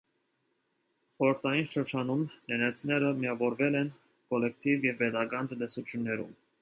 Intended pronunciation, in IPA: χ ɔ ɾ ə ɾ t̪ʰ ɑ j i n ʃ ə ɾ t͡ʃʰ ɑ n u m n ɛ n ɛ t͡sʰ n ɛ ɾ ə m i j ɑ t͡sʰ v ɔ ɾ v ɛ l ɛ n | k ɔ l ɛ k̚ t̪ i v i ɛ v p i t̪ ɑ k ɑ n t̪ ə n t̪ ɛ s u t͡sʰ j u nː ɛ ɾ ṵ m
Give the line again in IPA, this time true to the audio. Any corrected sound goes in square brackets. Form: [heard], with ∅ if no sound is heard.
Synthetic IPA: χ ɔ ɾ ə ɾ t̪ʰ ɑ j i n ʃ ə ɾ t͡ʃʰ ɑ n u m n ɛ n ɛ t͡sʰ n ɛ ɾ ə m i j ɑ [∅] v ɔ ɾ v ɛ l ɛ n | k ɔ l ɛ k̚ t̪ i v [j] ɛ v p [ɛ] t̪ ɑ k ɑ n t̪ ə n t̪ ɛ s u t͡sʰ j u nː ɛ ɾ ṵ m